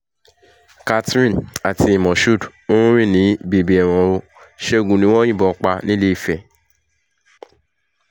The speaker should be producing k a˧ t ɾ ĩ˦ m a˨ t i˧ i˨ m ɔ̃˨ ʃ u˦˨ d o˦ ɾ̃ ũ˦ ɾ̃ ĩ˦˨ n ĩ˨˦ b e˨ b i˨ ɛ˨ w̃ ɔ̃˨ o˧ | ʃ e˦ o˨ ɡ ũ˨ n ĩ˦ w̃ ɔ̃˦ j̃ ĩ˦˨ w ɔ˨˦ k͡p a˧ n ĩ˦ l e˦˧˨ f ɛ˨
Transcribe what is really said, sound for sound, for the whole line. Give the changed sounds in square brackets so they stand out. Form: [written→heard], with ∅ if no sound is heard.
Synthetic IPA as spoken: k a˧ t ɾ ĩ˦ [m→n] a˨ t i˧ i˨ m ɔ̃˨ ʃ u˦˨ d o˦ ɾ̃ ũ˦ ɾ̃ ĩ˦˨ n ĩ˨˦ b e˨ b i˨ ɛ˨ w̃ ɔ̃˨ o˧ | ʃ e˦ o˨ ɡ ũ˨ n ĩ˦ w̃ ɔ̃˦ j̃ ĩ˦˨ [w→b] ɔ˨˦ k͡p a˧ n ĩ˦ l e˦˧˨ f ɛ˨